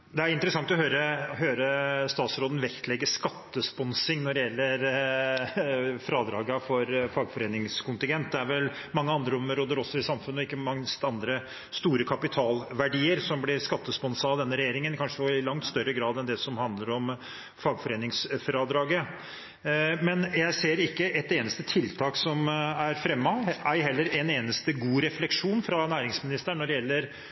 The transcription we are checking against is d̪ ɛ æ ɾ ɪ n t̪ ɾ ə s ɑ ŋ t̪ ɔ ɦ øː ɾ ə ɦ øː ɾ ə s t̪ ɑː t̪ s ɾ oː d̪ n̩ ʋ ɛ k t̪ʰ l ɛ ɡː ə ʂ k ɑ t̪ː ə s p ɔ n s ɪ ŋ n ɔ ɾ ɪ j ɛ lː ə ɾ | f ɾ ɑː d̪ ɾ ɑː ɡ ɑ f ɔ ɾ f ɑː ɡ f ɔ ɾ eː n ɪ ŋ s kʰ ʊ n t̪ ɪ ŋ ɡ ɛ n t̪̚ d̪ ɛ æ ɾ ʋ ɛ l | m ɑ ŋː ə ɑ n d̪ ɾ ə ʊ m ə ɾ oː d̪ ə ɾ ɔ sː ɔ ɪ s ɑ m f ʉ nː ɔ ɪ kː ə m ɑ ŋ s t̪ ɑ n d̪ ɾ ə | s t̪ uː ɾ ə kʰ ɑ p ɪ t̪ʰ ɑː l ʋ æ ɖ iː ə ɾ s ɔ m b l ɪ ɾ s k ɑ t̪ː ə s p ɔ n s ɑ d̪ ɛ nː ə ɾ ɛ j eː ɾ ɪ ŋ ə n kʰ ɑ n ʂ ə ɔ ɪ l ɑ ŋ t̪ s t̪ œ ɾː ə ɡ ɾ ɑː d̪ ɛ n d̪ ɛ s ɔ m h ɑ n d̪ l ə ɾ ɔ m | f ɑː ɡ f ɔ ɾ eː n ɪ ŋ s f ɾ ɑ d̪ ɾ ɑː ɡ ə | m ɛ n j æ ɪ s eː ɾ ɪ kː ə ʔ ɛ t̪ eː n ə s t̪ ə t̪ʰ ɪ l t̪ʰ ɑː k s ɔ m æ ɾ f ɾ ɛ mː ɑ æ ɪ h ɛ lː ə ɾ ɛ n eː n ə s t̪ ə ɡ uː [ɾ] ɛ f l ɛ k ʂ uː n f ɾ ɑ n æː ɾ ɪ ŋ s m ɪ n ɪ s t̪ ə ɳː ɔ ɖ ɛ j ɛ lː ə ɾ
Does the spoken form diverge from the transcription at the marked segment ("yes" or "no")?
no